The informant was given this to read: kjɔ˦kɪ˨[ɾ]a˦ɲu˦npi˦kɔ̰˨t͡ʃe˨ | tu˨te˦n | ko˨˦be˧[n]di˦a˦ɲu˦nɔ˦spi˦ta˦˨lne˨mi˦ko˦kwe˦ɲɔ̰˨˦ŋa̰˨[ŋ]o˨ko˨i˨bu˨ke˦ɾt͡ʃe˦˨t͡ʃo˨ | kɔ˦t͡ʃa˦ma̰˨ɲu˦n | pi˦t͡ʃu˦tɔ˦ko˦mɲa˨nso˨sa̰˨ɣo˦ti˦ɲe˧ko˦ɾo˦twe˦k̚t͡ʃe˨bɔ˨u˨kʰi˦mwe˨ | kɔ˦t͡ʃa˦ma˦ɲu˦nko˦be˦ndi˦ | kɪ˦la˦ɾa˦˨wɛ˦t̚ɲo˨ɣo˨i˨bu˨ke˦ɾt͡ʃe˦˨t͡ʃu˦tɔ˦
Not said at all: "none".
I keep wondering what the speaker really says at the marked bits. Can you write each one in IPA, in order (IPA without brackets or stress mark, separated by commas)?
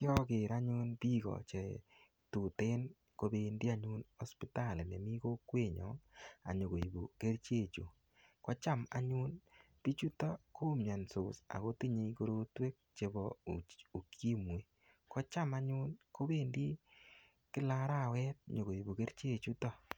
ɾ, n, ɲ